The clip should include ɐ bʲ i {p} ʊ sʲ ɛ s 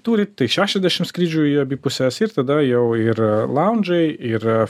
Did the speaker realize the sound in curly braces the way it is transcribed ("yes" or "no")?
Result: yes